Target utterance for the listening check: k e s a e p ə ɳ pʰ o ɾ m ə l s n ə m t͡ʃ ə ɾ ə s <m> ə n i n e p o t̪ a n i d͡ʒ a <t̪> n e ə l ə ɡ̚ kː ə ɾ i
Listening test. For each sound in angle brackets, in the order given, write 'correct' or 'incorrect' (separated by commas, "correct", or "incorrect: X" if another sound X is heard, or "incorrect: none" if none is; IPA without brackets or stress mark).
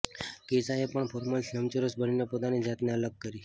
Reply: incorrect: b, correct